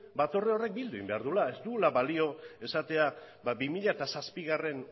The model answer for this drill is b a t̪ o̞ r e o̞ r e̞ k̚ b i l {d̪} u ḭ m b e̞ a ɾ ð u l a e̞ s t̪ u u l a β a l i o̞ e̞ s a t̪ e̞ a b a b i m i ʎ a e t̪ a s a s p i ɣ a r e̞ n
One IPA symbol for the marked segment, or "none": d̪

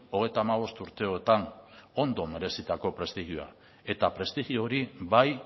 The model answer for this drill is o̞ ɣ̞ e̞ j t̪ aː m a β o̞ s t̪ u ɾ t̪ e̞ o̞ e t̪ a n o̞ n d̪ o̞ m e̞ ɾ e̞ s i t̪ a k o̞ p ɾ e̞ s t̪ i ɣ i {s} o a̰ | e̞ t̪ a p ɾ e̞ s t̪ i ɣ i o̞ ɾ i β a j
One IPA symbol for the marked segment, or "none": none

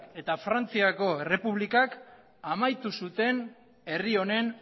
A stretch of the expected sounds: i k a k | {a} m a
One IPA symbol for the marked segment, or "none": a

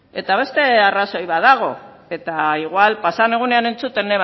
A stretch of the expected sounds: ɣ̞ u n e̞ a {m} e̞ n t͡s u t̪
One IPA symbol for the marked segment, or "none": n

